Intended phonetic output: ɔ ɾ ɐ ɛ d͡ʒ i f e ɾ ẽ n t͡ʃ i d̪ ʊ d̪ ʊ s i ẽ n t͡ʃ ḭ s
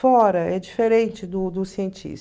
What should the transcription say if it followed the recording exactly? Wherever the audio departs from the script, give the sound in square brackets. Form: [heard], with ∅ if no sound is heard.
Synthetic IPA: ɔ ɾ ɐ ɛ d͡ʒ i f e ɾ ẽ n t͡ʃ [ɪ] d̪ ʊ d̪ ʊ s i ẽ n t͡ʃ ḭ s